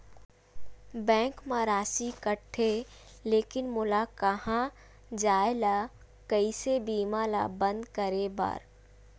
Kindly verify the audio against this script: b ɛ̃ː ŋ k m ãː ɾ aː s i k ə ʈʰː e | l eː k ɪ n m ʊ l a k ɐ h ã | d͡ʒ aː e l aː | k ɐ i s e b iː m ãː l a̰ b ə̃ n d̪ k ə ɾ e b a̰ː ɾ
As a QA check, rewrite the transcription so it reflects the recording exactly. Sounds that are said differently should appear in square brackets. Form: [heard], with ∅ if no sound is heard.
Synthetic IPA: b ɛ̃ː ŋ k m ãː ɾ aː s i k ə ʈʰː e | l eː k ɪ n m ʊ l a k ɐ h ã | d͡ʒ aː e l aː | k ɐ i s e b iː m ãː l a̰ b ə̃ n d̪ k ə ɾ e b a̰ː ɾ